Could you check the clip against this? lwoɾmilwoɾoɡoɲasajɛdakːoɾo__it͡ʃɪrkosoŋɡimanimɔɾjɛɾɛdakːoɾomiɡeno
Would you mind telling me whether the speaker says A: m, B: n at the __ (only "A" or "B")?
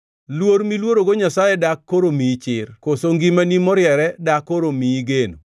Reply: A